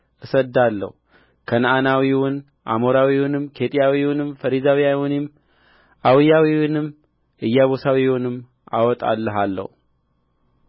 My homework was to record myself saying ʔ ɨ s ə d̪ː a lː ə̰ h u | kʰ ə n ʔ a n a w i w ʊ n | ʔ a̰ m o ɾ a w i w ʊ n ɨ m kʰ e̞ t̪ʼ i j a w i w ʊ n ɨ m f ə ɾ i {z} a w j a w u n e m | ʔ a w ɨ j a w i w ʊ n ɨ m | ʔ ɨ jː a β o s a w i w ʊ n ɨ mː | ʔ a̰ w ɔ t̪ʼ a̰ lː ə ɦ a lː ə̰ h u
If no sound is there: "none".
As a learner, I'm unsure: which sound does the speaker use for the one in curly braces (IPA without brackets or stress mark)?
z